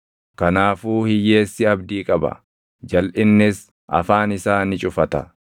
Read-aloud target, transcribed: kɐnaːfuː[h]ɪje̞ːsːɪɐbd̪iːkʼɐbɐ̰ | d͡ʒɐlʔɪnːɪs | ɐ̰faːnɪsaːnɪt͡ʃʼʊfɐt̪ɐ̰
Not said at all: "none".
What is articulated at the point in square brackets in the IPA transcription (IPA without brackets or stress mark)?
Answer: h